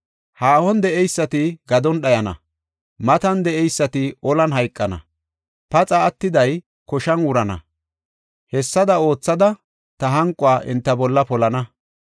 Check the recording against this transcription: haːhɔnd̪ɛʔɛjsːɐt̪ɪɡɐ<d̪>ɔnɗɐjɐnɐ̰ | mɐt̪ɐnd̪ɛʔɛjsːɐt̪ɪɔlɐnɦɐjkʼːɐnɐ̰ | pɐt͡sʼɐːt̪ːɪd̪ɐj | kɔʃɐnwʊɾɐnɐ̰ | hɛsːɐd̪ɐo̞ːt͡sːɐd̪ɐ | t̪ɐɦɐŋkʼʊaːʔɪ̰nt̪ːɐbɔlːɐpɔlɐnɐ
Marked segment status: correct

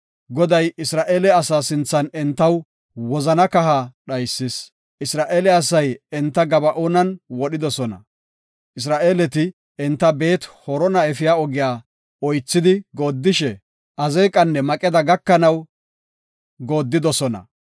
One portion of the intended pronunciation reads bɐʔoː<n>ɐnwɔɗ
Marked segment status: correct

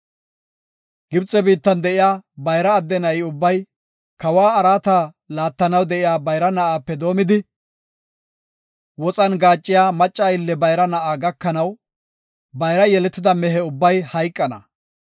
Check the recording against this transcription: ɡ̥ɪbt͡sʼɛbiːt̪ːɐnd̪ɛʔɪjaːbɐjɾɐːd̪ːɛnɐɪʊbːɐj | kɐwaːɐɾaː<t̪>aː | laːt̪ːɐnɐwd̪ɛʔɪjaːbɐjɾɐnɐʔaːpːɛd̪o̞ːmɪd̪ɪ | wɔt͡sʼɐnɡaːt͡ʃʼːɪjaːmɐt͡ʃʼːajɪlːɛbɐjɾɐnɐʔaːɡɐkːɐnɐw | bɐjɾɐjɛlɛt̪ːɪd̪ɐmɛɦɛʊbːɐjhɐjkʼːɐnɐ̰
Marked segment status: correct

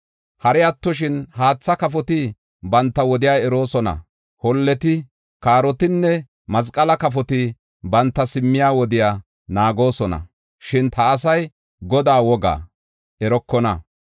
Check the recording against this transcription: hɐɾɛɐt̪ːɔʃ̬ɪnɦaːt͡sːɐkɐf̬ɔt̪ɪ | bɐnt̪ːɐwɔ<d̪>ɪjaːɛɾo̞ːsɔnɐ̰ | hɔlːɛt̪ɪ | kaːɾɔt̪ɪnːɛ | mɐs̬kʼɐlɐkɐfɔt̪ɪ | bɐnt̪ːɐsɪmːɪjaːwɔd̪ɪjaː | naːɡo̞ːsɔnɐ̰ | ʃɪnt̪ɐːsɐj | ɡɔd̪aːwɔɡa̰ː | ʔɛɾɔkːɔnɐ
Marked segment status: correct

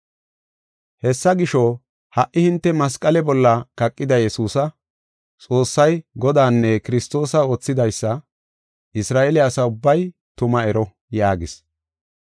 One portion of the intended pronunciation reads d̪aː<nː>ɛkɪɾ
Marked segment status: correct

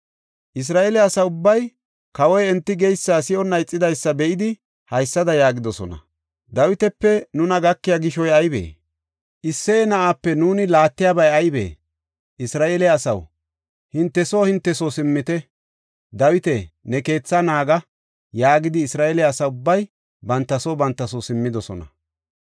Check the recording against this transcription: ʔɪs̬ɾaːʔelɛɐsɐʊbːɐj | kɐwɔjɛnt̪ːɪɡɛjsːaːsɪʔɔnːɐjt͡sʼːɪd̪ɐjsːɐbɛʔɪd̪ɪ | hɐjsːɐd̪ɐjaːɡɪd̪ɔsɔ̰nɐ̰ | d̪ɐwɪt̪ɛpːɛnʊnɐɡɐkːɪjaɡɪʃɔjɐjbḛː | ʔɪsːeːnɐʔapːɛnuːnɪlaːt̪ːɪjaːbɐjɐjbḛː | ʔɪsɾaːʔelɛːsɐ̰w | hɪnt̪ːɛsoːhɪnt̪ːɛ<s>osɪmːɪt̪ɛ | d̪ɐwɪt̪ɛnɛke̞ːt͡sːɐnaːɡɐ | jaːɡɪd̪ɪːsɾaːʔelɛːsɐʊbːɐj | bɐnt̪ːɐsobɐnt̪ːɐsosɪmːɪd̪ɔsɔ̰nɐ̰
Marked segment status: correct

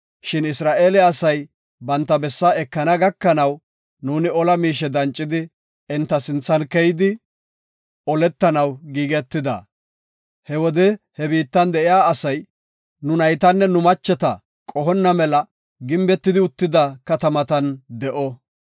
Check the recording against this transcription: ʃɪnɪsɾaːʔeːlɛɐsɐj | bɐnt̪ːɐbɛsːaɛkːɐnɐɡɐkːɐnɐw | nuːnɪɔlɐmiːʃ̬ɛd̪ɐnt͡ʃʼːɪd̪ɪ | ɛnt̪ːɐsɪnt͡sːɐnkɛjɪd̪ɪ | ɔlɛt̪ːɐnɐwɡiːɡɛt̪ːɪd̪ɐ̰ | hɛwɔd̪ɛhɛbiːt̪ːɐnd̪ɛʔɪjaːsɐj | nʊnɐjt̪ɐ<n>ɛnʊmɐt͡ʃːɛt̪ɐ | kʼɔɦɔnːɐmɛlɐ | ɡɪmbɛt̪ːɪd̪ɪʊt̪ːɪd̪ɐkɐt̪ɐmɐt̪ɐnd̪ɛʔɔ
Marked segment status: incorrect: nː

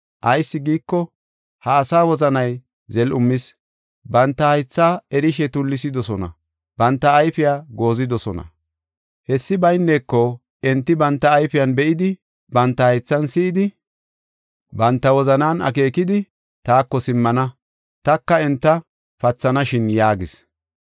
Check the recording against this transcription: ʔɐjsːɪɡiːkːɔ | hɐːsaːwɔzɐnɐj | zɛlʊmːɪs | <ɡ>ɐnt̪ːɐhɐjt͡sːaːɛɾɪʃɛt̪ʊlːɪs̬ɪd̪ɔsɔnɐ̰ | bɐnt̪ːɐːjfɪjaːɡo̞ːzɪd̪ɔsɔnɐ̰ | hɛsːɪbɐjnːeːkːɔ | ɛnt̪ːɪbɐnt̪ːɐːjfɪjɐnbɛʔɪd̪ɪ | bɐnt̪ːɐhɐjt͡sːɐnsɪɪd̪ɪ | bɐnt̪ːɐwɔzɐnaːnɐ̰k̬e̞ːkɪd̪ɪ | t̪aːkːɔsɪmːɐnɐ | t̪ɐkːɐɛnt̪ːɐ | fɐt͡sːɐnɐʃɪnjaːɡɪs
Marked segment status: incorrect: b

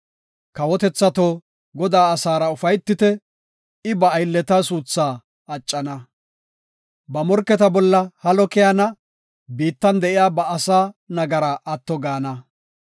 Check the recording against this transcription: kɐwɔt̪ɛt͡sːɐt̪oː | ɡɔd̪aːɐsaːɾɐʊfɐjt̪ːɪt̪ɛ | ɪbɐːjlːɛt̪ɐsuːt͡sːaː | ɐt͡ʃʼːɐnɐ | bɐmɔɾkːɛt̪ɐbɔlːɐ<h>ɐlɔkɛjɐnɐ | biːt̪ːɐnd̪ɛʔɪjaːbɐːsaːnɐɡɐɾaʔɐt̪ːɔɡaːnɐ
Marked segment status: correct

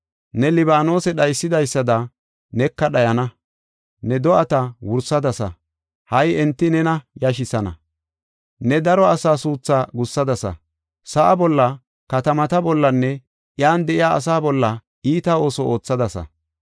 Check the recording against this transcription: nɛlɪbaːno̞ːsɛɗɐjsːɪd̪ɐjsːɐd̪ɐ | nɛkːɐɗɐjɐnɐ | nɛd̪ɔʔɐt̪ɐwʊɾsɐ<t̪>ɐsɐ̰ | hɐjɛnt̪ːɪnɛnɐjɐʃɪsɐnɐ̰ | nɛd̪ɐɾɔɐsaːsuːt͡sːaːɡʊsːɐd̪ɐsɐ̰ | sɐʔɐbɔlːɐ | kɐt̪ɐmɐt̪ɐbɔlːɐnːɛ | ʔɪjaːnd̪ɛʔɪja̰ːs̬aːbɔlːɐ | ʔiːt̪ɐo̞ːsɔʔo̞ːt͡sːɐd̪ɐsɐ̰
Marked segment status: incorrect: d̪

